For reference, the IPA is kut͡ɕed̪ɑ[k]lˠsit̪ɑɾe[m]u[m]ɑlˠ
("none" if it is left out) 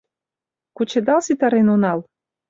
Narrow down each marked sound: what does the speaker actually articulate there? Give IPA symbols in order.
none, n, n

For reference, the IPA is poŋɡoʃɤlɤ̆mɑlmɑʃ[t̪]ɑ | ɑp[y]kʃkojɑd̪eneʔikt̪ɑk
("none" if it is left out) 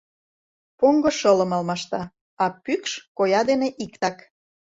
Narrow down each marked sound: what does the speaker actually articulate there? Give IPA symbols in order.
t̪, y

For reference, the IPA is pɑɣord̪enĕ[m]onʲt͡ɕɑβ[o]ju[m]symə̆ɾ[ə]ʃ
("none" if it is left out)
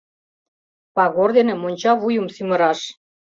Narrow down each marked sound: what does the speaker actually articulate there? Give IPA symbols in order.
m, u, m, ɑ

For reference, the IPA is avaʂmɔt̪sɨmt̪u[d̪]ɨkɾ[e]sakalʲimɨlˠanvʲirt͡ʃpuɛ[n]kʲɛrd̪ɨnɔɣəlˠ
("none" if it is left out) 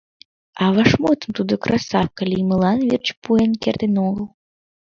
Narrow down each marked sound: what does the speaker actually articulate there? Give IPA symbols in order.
d̪, a, n

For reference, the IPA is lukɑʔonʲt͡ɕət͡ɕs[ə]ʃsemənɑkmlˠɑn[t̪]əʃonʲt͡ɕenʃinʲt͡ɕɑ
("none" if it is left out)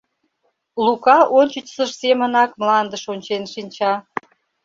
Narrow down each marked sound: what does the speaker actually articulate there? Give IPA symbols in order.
ə, d̪

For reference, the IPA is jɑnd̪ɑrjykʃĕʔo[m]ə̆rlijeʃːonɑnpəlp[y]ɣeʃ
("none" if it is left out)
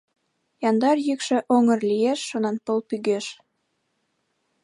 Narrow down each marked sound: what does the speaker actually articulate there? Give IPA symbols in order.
ŋ, y

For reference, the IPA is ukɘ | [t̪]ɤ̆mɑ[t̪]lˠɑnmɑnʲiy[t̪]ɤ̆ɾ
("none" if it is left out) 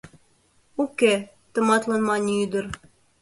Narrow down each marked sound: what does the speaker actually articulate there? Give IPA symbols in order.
t̪, t̪, d̪

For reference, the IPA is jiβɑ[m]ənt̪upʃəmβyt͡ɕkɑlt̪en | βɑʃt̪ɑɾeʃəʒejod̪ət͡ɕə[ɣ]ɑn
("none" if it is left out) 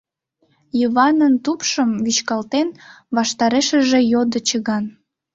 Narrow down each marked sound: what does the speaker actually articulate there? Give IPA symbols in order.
n, ɣ

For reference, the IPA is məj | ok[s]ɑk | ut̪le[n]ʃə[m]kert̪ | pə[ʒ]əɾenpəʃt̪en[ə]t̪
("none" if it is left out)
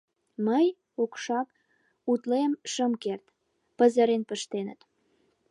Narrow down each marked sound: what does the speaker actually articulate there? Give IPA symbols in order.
ʃ, m, m, z, ə

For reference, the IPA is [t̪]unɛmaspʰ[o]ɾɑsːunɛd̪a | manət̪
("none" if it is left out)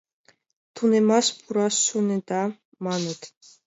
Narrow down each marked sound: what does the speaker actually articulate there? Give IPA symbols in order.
t̪ʰ, u

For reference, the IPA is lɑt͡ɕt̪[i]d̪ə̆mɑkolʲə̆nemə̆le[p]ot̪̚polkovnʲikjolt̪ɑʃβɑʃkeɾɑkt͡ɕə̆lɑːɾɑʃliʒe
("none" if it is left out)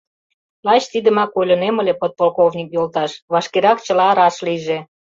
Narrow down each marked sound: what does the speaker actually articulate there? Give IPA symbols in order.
i, p

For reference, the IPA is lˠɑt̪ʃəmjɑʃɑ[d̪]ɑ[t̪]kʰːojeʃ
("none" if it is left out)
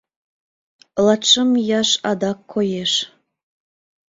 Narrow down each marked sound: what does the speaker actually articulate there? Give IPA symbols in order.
d̪, none

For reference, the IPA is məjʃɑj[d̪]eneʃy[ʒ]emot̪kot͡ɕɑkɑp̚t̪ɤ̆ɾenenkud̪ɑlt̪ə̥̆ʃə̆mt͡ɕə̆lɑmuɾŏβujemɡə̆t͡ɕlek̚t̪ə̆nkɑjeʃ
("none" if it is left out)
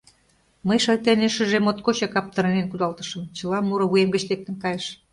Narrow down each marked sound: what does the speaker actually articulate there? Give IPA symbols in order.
t̪, ʒ

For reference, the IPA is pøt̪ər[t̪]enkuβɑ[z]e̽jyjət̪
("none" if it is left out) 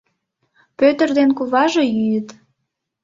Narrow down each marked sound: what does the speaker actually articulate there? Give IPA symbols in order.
d̪, ʒ

